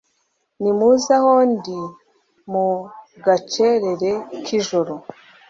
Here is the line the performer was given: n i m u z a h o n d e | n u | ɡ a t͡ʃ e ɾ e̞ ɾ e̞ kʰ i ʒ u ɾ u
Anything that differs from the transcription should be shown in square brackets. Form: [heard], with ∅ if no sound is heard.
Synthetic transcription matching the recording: n i m u z a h o n d [i] | [m] u | ɡ a t͡ʃ e ɾ e̞ ɾ e̞ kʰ i ʒ [o] ɾ [o]